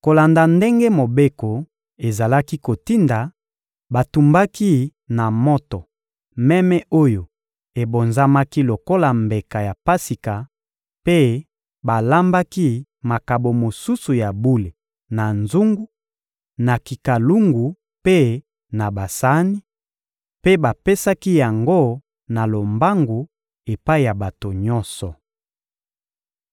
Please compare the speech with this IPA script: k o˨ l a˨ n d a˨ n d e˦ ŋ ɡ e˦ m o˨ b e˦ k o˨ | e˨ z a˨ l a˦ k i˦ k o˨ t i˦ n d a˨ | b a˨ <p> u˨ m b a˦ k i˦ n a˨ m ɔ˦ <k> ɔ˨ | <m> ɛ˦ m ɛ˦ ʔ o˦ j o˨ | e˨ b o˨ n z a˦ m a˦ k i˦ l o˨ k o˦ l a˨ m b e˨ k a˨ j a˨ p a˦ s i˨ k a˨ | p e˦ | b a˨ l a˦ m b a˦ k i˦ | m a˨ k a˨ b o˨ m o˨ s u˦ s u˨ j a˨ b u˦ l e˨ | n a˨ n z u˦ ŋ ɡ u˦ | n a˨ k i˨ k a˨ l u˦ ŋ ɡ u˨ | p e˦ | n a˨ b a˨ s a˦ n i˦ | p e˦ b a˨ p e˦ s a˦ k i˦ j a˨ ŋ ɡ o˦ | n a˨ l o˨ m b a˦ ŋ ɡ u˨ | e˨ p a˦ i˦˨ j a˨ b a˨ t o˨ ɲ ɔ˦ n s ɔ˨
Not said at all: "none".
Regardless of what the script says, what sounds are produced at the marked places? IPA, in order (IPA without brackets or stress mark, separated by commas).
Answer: t, t, m